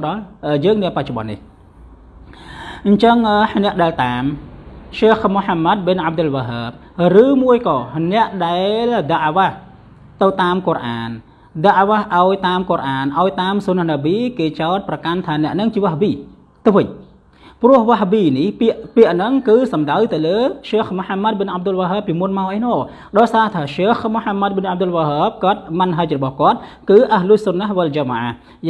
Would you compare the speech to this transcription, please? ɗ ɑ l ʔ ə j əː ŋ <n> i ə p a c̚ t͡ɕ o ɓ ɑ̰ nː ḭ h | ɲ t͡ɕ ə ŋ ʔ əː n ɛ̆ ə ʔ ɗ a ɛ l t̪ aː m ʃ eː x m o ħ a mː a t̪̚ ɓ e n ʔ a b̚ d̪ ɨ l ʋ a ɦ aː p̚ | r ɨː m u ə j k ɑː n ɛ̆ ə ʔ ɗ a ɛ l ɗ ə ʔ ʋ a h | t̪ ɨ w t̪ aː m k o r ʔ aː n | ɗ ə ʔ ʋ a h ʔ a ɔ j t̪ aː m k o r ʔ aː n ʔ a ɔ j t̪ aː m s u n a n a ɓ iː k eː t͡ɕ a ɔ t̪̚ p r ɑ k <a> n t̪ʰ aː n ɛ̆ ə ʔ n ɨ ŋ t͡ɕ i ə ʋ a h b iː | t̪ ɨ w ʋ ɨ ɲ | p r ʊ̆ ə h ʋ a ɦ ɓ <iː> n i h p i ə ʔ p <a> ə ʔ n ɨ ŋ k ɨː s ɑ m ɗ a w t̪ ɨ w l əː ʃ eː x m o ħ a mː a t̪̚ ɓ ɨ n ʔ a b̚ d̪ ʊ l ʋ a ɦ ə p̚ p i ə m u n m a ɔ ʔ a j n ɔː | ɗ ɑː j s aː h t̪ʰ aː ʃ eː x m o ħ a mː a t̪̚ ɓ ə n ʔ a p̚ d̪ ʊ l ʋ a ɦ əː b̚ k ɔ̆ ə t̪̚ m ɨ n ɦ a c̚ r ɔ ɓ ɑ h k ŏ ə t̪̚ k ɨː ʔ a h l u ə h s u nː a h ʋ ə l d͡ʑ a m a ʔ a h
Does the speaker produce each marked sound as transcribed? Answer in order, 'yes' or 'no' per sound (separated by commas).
yes, yes, yes, no